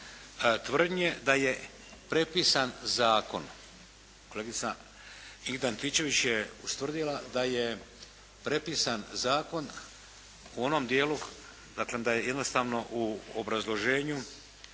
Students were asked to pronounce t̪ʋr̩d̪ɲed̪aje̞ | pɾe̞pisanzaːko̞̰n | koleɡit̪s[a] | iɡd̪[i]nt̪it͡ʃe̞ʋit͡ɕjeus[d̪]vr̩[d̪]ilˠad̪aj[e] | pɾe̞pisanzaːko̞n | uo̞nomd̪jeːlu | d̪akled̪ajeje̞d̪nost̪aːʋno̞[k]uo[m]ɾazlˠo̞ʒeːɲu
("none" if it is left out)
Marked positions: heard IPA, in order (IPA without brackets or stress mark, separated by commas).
a, a, t̪, d̪, e, ʔ, b